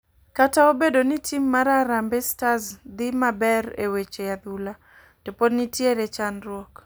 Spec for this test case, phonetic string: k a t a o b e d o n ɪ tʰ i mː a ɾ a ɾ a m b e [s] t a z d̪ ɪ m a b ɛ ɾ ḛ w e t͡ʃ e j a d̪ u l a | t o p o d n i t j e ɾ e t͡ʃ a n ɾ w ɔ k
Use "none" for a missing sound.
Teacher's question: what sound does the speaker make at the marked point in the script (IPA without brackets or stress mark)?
s